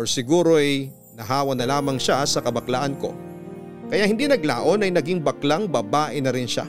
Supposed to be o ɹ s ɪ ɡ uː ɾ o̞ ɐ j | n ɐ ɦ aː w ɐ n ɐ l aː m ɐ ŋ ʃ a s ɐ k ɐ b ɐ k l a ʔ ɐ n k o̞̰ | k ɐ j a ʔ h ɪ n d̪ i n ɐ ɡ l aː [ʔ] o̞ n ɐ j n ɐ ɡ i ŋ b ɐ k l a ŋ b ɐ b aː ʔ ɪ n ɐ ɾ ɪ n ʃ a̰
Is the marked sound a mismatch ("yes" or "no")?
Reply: no